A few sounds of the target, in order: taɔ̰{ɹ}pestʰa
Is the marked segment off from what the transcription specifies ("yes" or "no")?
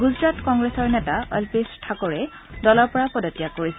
yes